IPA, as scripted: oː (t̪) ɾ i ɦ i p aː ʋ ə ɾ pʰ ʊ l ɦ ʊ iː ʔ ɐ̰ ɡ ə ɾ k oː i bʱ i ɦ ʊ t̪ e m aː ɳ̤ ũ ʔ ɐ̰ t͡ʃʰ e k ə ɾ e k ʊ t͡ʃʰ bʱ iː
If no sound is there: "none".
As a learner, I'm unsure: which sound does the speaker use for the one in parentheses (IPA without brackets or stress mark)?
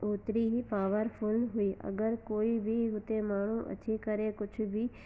t̪